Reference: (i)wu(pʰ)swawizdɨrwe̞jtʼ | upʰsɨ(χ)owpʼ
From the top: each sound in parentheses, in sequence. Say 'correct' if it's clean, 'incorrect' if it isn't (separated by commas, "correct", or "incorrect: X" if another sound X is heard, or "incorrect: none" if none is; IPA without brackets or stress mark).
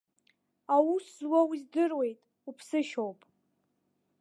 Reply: incorrect: a, incorrect: none, incorrect: ʃ